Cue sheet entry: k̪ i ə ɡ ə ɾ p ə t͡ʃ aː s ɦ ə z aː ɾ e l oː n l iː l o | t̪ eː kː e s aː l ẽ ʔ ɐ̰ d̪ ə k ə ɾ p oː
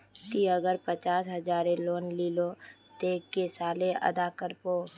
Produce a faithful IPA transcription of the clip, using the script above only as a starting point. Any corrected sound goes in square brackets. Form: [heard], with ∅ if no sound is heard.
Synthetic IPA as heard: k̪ i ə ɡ ə ɾ p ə t͡ʃ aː s ɦ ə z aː ɾ e l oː n l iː l o | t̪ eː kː e s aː l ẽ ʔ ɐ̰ d̪ [a] k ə ɾ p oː